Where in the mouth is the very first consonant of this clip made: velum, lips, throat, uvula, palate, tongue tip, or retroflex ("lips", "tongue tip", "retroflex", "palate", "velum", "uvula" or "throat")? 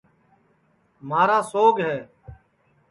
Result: lips